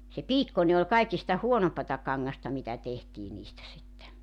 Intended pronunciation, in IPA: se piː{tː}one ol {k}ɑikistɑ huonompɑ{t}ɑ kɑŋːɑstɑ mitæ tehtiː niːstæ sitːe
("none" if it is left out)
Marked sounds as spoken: kː, k, t

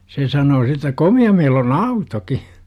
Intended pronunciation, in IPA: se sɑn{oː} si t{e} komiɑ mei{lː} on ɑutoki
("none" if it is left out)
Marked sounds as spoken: oː, æ, l

